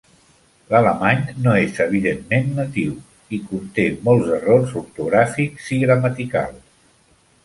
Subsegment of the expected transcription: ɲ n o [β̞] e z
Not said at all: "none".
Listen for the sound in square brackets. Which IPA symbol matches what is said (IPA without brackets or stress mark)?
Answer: none